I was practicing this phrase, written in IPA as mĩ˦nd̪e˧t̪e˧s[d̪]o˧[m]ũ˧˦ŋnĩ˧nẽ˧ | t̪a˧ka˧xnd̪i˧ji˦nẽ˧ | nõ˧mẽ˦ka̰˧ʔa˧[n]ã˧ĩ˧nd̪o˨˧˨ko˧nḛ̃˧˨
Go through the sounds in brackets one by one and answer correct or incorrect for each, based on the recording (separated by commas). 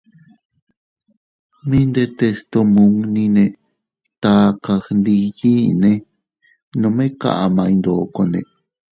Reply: incorrect, correct, incorrect